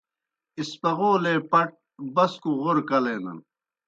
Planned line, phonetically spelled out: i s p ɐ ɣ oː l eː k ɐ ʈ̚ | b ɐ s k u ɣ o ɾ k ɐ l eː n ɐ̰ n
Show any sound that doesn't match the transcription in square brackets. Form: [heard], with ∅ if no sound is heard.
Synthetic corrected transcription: i s p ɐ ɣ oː l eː [p] ɐ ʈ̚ | b ɐ s k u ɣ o ɾ k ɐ l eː n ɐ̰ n